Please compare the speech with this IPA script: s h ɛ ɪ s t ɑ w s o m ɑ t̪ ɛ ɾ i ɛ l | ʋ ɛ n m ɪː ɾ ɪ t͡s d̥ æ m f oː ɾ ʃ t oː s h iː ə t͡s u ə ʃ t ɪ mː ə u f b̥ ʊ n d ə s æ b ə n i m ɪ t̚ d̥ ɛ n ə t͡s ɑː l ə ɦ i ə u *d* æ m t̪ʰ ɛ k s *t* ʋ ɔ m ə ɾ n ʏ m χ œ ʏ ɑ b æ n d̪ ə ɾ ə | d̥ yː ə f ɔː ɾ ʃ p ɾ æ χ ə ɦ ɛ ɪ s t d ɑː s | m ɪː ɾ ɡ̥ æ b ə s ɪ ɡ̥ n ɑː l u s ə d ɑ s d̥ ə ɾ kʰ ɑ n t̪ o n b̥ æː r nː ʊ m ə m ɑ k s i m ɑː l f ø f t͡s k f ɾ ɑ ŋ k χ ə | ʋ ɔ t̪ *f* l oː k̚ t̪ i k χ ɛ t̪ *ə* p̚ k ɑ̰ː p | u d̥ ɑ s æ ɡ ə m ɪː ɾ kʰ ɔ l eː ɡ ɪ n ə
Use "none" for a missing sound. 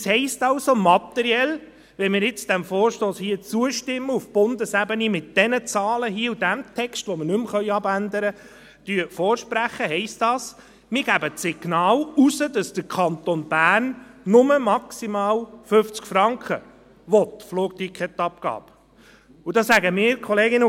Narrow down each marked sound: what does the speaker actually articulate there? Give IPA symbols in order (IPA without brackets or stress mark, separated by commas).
d, t, f, ɑ